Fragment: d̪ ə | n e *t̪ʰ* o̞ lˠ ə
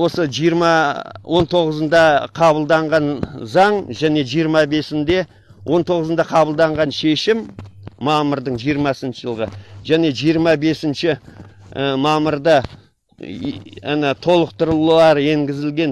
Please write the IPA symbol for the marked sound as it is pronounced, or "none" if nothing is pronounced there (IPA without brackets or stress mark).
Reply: t̪ʰ